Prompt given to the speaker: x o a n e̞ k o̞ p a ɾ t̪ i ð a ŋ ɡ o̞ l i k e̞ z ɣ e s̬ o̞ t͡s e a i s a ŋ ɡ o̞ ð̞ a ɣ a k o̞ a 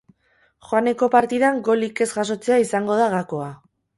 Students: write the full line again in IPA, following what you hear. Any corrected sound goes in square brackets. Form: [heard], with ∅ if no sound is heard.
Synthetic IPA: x o a n e̞ k o̞ p a ɾ t̪ i ð a ŋ ɡ o̞ l i k e̞ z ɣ [a] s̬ o̞ t͡s e a i s a ŋ ɡ o̞ ð̞ a ɣ a k o̞ a